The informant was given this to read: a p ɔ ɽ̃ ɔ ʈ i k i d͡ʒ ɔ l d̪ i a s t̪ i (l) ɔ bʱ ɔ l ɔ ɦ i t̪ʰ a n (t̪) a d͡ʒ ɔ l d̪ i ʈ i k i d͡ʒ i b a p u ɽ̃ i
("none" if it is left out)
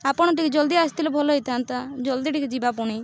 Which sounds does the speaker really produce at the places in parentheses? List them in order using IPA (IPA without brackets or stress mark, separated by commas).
l, t̪